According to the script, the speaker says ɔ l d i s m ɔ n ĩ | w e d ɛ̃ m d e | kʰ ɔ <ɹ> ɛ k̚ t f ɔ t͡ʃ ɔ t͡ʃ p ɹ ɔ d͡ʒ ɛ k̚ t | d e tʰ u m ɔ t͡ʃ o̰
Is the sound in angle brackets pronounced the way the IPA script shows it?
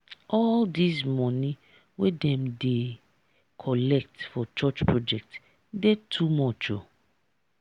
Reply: no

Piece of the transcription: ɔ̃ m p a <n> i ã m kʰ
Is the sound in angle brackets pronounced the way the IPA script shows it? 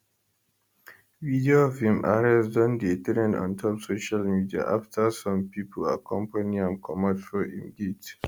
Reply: yes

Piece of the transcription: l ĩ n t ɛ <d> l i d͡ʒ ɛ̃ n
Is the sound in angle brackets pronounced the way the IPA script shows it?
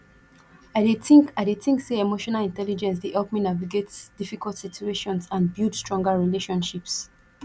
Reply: no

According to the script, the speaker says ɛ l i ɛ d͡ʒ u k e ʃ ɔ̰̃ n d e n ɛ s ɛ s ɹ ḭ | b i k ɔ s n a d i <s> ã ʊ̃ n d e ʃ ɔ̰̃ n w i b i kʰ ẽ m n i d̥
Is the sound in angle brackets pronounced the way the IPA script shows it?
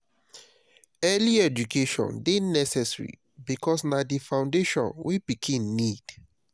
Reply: no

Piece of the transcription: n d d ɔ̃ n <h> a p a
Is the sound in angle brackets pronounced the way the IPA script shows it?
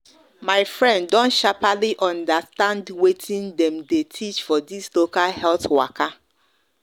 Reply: no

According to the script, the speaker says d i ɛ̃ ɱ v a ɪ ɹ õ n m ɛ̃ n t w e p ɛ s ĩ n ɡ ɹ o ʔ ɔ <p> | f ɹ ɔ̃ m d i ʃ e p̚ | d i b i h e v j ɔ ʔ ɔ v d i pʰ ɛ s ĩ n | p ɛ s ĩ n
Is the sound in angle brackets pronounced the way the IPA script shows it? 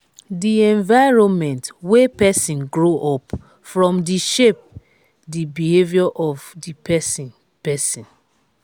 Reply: yes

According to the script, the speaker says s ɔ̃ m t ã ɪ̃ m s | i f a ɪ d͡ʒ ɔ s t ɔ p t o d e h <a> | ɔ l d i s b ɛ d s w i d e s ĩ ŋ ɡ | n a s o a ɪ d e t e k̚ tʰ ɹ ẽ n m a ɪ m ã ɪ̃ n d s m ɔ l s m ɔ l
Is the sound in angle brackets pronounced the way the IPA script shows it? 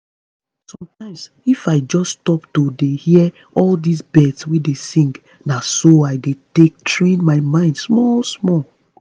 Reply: no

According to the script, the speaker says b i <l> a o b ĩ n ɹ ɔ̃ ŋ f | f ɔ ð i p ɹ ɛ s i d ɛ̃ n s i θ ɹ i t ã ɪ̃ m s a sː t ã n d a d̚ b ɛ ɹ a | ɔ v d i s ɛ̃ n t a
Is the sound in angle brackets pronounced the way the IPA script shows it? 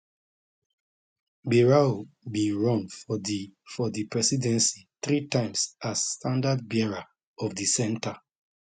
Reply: no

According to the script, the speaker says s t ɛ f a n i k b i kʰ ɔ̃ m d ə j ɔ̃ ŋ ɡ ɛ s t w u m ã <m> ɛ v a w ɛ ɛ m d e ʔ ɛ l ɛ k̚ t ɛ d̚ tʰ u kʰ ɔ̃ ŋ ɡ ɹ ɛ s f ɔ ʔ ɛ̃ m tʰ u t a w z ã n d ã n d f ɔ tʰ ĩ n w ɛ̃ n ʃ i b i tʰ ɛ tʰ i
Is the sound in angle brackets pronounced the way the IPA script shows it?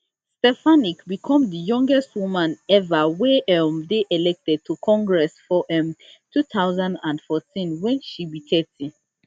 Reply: no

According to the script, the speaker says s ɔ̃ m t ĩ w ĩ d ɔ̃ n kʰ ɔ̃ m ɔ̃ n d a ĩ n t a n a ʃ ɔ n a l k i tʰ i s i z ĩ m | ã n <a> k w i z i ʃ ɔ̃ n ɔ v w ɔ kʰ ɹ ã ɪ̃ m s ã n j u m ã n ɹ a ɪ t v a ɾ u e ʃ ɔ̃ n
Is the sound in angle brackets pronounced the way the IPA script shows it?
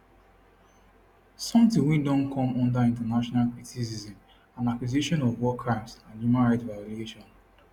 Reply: yes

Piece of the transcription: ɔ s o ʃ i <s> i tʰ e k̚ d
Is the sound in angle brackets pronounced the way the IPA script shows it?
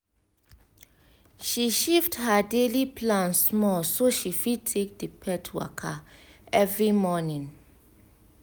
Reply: no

